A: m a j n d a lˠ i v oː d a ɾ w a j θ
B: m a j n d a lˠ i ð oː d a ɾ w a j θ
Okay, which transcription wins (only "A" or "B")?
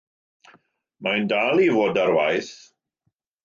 A